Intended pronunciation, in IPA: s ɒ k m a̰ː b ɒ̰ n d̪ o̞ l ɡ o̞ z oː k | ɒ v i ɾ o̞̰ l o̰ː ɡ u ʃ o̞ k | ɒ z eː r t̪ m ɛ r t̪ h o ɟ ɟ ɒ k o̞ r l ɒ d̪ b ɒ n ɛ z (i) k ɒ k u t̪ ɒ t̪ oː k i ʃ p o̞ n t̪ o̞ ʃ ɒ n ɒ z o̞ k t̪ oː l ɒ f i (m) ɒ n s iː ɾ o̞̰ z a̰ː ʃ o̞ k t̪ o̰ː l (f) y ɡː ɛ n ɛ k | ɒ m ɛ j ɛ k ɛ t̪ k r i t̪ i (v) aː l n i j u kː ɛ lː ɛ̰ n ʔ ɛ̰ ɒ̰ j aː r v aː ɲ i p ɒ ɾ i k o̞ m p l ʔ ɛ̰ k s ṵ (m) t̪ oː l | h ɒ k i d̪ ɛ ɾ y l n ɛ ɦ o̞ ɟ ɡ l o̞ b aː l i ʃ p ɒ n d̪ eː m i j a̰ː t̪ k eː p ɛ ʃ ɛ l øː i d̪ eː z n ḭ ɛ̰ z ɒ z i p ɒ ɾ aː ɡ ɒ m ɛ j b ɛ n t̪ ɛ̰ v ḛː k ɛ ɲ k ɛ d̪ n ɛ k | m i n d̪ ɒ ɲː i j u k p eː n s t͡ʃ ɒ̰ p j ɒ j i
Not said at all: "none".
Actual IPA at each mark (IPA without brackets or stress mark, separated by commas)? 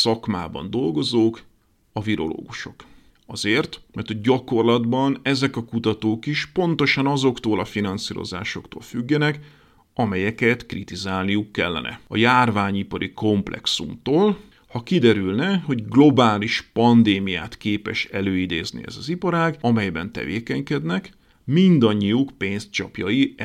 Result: ɛ, n, f, z, m